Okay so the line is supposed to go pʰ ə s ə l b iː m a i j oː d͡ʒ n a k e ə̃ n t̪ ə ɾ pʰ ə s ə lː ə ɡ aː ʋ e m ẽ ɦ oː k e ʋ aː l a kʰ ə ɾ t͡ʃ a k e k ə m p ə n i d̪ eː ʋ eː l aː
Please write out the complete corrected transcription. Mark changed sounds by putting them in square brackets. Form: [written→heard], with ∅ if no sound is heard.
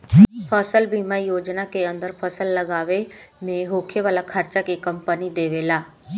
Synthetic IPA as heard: pʰ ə s ə l b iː m a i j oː d͡ʒ n a k e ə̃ n [t̪→d̪] ə ɾ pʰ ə s ə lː ə ɡ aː ʋ e m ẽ ɦ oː [k→kʰ] e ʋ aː l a kʰ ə ɾ t͡ʃ a k e k ə m p ə n i d̪ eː ʋ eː l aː